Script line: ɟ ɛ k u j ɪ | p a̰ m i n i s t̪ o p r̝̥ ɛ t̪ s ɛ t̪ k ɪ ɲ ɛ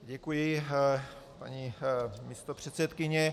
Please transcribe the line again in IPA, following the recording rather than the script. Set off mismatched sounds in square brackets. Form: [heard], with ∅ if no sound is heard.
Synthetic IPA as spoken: ɟ ɛ k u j ɪ | p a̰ [ɲ] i [m] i s t̪ o p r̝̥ ɛ t̪ s ɛ t̪ k ɪ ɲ ɛ

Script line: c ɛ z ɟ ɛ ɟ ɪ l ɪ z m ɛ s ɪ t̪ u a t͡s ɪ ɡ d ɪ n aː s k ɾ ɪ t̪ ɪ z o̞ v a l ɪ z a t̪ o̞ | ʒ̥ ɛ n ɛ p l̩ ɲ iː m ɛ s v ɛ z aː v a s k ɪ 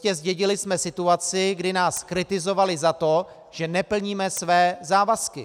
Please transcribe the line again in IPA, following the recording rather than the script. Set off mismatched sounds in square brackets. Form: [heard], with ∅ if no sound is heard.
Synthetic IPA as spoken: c ɛ z ɟ ɛ ɟ ɪ l ɪ [s] m ɛ s ɪ t̪ u a t͡s ɪ ɡ d ɪ n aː s k ɾ ɪ t̪ ɪ z o̞ v a l ɪ z a t̪ o̞ | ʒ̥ ɛ n ɛ p l̩ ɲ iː m ɛ s v [ɛː] z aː v a s k ɪ

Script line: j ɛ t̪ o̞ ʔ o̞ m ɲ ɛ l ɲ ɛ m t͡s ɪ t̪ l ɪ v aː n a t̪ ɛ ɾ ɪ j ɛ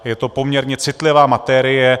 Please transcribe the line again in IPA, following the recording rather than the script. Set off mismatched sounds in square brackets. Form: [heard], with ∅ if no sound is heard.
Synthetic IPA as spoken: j ɛ t̪ o̞ [p] o̞ m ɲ ɛ [ɾ] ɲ ɛ [∅] t͡s ɪ t̪ l ɪ v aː [m] a t̪ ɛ ɾ ɪ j ɛ

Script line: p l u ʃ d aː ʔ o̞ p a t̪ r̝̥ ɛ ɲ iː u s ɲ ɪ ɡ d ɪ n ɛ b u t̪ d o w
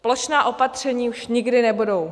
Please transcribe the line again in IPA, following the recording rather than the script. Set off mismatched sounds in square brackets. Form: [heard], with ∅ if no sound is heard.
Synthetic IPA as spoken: p l [o] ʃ [n] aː ʔ o̞ p a t̪ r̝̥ ɛ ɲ iː u [ʃ] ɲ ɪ ɡ d ɪ n ɛ b u [∅] d o w

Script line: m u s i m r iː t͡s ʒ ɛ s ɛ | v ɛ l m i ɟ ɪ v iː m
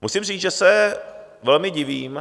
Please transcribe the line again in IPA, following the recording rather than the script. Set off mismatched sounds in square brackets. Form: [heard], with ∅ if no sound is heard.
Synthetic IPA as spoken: m u s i m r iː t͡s ʒ ɛ s ɛ | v ɛ l m [ɪ] ɟ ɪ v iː m

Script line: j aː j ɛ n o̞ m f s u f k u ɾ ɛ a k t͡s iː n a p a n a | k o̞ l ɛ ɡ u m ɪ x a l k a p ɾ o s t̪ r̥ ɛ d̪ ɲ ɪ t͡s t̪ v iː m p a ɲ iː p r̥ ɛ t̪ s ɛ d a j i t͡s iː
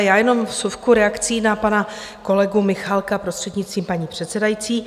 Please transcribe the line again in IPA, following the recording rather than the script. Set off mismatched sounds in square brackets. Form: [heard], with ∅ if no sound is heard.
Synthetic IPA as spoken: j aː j ɛ n o̞ m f s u f k u ɾ ɛ a k t͡s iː n a p a n a | k o̞ l ɛ ɡ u m ɪ x a l k a p ɾ o s t̪ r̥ ɛ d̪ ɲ ɪ t͡s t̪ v iː m p a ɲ iː p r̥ ɛ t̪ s ɛ d a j i t͡s iː

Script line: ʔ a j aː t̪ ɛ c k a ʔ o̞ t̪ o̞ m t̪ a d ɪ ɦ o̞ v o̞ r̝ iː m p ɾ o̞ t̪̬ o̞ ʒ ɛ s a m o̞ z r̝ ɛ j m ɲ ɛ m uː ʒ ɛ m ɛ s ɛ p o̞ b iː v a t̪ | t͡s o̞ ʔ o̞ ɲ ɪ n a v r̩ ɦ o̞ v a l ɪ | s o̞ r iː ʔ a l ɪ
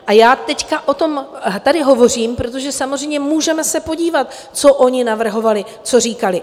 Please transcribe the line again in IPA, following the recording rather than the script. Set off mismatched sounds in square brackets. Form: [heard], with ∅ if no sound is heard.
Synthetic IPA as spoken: ʔ a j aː t̪ ɛ c k a ʔ o̞ t̪ o̞ m t̪ a d ɪ ɦ o̞ v o̞ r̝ iː m p ɾ o̞ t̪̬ o̞ ʒ ɛ s a m o̞ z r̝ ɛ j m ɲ ɛ m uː ʒ ɛ m ɛ s ɛ p o̞ [ɟ] iː v a t̪ | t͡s o̞ ʔ o̞ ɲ ɪ n a v r̩ ɦ o̞ v a l ɪ | [t͡s] o̞ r iː [k] a l ɪ

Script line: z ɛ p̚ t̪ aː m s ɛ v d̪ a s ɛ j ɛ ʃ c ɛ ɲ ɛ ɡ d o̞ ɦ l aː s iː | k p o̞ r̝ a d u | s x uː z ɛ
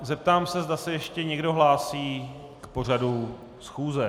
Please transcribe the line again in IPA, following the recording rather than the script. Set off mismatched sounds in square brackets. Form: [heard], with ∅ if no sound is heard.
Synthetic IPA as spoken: z ɛ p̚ t̪ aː m s ɛ [z] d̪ a s ɛ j ɛ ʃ c ɛ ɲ ɛ ɡ d o̞ ɦ l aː s iː | k p o̞ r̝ a d u | s x uː z ɛ

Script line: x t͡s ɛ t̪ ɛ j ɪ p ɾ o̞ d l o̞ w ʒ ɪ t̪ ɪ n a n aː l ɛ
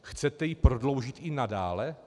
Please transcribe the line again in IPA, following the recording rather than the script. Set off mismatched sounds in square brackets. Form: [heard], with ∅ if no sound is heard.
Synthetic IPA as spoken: x t͡s ɛ t̪ ɛ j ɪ p ɾ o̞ d l o̞ w ʒ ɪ t̪ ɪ n a [d] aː l ɛ

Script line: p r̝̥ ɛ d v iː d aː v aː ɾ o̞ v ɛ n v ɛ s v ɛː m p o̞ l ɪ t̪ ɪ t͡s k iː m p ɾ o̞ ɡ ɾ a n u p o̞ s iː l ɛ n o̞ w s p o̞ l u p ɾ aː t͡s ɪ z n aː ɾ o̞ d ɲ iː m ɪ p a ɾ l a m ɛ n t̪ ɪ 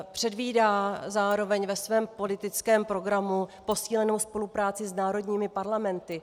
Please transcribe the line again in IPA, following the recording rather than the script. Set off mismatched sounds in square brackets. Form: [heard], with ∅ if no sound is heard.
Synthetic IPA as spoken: p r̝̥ ɛ d v iː d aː [z] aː ɾ o̞ v ɛ [ɲ] v ɛ s v ɛː m p o̞ l ɪ t̪ ɪ t͡s k [ɛː] m p ɾ o̞ ɡ ɾ a [m] u p o̞ s iː l ɛ n o̞ w s p o̞ l u p ɾ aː t͡s ɪ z n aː ɾ o̞ d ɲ iː m ɪ p a ɾ l a m ɛ n t̪ ɪ

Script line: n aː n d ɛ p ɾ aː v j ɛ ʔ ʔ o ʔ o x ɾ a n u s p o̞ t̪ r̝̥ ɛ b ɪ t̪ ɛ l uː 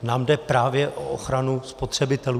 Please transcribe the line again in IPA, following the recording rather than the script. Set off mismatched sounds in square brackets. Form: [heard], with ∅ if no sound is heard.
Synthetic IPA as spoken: n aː [m] d ɛ p ɾ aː v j ɛ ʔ ʔ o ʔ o x ɾ a n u s p o̞ t̪ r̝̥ ɛ b ɪ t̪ ɛ l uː

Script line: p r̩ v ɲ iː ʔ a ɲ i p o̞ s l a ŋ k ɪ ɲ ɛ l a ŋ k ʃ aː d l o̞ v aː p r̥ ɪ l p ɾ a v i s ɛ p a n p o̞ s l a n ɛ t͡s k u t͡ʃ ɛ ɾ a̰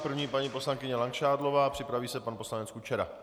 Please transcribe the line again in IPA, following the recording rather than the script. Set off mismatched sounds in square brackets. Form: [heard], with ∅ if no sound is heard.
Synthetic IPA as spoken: p r̩ v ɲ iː [p] a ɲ i p o̞ s l a ŋ k ɪ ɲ ɛ l a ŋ k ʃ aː d l o̞ v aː p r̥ ɪ [∅] p ɾ a v [iː] s ɛ p a n p o̞ s l a n ɛ t͡s k u t͡ʃ ɛ ɾ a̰

